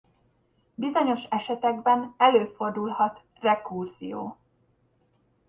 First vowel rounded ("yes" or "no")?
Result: no